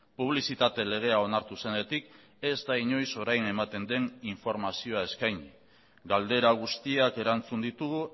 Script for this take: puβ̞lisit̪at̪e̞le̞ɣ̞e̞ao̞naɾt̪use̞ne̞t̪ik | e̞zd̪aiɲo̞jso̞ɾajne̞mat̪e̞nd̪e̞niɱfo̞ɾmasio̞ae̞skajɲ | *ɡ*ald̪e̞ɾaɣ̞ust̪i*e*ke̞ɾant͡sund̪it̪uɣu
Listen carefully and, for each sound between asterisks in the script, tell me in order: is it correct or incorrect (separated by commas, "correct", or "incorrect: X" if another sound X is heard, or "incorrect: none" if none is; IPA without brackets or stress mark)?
correct, incorrect: a